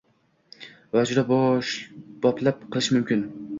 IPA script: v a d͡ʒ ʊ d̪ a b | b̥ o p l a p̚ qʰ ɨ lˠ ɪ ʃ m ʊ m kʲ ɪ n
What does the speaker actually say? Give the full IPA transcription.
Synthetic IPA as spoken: v a d͡ʒ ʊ d̪ a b | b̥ ɒ p l a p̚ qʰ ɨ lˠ ɪ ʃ m ʊ m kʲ ɪ n